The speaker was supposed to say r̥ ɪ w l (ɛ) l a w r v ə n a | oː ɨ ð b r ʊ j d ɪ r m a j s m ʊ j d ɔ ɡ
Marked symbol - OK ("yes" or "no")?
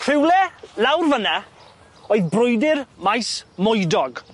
yes